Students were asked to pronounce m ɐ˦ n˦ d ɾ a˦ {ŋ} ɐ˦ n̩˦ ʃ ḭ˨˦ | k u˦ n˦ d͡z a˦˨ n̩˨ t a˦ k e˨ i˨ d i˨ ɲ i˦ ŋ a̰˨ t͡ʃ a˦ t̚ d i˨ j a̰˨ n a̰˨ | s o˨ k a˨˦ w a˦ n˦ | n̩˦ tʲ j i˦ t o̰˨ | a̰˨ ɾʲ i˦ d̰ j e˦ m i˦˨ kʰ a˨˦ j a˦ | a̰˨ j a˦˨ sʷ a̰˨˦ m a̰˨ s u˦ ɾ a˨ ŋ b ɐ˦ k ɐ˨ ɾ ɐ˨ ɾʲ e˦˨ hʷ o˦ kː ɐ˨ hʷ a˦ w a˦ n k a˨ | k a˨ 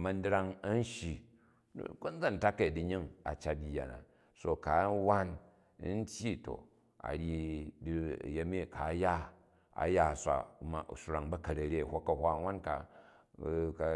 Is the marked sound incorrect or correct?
correct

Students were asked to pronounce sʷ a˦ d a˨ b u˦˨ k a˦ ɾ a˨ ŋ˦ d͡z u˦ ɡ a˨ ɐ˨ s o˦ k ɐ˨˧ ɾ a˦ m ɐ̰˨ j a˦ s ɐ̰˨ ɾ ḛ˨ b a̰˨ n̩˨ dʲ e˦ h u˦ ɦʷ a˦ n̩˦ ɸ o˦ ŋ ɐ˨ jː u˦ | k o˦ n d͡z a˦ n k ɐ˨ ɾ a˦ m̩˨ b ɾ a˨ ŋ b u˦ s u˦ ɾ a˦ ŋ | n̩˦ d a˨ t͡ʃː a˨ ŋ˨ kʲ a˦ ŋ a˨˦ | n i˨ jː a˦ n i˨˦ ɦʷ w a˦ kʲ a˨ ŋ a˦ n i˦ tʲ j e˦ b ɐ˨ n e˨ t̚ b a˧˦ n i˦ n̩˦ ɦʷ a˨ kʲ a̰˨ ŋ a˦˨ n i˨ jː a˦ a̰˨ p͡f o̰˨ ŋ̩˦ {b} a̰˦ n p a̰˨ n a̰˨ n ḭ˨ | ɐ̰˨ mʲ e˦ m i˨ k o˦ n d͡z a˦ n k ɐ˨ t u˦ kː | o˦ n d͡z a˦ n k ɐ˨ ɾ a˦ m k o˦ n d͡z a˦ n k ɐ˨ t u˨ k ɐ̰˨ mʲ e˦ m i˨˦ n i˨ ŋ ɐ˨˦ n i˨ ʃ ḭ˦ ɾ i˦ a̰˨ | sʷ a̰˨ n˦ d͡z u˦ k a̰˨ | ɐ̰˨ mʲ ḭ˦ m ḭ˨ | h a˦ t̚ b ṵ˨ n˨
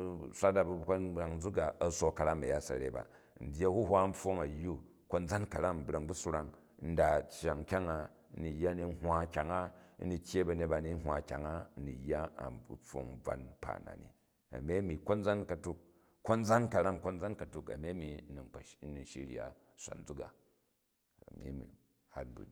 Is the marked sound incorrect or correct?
incorrect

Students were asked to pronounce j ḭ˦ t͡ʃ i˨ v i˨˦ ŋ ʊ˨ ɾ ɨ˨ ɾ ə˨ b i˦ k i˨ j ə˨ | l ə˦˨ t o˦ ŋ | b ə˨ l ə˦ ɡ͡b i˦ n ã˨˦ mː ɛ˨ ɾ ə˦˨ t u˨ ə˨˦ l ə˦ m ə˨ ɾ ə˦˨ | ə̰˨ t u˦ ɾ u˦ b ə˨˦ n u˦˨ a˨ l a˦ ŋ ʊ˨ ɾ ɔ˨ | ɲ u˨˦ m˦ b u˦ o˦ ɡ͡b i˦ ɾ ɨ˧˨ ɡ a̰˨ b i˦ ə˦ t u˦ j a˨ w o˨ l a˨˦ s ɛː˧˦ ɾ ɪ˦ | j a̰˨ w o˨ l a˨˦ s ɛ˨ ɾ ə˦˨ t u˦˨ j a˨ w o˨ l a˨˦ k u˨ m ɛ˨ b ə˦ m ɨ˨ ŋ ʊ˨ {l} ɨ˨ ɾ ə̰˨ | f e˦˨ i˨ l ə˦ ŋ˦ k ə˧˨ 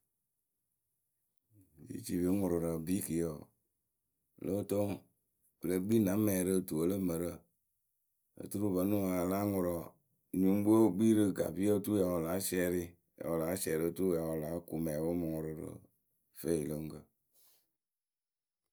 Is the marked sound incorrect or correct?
incorrect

